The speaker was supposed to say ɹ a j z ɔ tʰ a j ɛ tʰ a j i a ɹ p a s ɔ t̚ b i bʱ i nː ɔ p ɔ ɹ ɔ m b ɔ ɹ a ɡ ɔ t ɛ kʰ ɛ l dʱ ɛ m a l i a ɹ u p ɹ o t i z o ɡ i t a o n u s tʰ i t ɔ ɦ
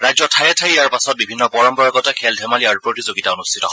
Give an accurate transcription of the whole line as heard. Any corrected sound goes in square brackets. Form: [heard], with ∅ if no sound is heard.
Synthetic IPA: ɹ a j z ɔ tʰ a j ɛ tʰ a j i a ɹ p a s ɔ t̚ b i bʱ i nː ɔ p ɔ ɹ ɔ m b ɔ ɹ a ɡ ɔ t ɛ kʰ ɛ l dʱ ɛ m a l i a ɹ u p ɹ o t i z o ɡ i t a o n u s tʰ i t ɔ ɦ